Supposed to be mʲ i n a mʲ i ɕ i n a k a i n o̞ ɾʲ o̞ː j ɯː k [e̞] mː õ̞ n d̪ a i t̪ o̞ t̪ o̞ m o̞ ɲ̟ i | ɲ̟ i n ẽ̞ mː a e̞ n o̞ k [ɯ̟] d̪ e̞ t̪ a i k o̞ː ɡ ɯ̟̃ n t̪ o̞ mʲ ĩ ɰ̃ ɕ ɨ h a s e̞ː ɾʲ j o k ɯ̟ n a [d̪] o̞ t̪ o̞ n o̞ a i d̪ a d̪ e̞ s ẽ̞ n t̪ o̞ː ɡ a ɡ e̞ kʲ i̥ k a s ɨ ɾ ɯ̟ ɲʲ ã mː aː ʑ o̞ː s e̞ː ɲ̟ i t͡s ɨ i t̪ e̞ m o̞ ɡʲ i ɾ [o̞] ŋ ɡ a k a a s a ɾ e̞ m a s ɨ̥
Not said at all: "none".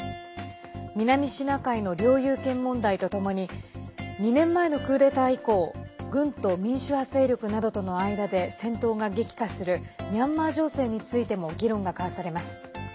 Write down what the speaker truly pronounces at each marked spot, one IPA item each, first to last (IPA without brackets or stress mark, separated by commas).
ẽ̞, ɯ̟ː, d̪, õ̞